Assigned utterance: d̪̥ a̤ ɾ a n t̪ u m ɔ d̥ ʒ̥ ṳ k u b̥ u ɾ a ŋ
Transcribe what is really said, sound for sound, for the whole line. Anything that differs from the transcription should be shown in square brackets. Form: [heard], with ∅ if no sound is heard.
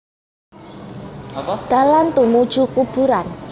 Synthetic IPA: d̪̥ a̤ [l] a n t̪ u m [u] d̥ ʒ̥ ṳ k u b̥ u ɾ a [n]